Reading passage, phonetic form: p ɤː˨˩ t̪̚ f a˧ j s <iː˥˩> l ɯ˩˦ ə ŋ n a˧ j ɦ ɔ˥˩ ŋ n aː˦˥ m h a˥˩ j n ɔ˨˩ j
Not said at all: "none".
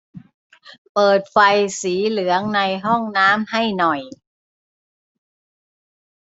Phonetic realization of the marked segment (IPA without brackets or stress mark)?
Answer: iː˩˦